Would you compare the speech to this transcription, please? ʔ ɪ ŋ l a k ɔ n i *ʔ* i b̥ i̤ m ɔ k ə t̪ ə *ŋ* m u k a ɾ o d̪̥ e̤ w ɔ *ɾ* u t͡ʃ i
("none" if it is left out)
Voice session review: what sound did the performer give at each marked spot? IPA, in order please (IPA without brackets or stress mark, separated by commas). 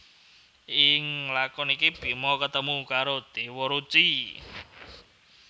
k, none, ɾ